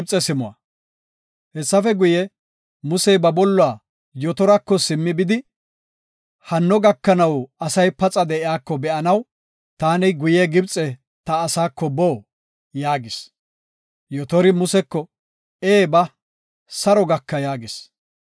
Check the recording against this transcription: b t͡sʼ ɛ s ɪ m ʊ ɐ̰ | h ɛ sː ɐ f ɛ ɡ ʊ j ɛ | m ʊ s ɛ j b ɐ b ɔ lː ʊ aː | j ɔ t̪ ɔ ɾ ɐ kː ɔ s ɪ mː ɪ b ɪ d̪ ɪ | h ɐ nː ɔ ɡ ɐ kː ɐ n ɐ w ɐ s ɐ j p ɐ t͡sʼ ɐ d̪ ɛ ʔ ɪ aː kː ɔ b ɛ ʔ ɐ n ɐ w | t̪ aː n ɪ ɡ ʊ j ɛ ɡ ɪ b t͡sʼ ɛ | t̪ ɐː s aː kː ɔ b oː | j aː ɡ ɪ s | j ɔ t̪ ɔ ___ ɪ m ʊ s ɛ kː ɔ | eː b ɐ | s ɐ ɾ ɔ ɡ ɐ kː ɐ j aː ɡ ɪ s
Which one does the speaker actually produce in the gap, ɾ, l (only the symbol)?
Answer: ɾ